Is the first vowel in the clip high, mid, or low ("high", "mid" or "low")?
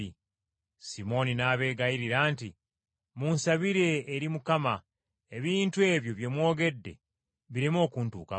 high